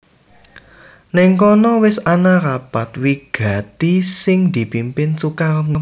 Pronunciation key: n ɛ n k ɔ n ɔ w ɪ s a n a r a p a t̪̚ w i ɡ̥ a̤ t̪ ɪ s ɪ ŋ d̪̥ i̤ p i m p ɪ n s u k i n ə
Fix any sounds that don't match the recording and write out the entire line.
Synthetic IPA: n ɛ ŋ k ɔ n ɔ w ɪ s a n a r a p a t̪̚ w i ɡ̥ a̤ t̪ i s ɪ ŋ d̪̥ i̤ p i m p ɪ n s u k a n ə